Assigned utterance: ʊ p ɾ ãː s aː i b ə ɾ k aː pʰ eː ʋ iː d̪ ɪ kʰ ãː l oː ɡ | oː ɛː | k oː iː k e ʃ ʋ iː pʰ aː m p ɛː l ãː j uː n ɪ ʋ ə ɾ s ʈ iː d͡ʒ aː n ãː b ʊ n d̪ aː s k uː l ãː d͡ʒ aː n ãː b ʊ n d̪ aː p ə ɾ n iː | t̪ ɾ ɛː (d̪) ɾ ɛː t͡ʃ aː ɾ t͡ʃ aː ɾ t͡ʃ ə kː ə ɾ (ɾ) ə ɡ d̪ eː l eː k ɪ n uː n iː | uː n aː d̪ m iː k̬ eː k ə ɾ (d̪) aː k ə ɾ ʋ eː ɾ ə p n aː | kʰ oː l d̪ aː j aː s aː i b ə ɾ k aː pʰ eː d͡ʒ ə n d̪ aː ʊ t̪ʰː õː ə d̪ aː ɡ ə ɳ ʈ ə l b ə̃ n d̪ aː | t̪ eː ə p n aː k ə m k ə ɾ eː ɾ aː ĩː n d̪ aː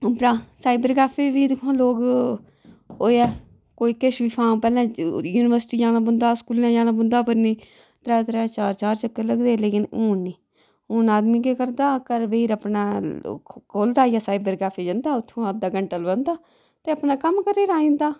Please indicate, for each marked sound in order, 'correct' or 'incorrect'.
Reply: incorrect: t̪, incorrect: l, correct

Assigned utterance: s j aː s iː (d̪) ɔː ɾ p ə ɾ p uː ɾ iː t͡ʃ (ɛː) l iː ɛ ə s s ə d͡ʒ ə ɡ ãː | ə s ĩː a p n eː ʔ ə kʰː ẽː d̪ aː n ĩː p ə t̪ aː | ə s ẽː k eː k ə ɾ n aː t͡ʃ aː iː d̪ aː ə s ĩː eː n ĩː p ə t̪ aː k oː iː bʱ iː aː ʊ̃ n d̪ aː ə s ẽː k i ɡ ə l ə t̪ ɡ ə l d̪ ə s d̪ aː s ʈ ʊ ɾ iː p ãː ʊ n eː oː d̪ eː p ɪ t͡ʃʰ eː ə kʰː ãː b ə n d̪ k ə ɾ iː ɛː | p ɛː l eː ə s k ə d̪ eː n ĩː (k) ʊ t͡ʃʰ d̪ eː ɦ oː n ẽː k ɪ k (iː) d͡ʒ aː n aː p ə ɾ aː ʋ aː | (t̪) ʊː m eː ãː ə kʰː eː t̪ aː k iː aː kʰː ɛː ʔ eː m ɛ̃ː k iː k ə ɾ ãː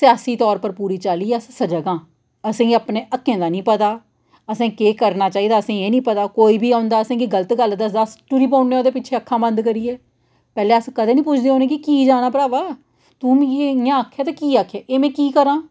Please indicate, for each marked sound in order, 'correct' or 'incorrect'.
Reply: incorrect: t̪, incorrect: aː, incorrect: p, correct, correct

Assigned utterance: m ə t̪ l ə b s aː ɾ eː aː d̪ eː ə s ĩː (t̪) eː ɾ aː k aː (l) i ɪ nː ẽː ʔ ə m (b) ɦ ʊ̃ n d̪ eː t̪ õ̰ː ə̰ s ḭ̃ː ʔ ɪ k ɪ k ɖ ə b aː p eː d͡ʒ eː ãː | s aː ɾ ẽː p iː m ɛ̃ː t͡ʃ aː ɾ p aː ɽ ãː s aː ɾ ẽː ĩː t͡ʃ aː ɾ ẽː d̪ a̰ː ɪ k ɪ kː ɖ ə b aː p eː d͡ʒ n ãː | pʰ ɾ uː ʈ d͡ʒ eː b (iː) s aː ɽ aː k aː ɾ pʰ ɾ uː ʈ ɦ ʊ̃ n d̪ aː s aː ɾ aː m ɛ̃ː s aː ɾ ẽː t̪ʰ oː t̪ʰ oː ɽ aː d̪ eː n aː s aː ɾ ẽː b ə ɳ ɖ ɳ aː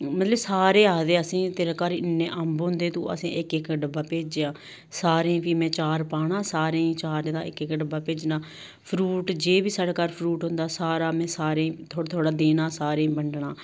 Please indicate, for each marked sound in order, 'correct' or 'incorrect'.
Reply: correct, incorrect: ɾ, correct, correct

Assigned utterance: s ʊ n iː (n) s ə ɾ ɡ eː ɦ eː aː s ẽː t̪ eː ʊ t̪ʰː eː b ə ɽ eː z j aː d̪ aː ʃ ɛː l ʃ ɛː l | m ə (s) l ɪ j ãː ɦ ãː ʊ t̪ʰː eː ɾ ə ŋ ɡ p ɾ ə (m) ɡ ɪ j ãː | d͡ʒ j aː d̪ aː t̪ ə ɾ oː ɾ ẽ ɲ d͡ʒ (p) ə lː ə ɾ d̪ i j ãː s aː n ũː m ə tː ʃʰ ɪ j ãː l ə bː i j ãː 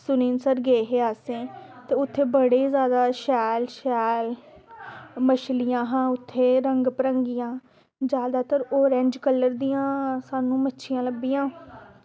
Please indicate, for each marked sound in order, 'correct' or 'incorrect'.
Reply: correct, incorrect: ʃ, incorrect: ŋ, incorrect: k

